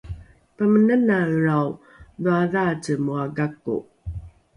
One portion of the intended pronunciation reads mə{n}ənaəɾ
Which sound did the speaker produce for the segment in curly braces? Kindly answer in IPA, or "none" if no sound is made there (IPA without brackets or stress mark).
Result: n